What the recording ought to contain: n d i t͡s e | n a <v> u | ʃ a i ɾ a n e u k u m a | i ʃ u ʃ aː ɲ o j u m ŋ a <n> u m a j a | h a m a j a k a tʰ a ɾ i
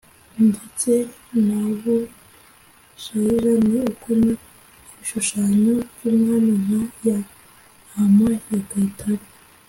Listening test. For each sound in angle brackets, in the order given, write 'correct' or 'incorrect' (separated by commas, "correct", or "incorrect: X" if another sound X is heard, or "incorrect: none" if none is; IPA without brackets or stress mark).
incorrect: β, correct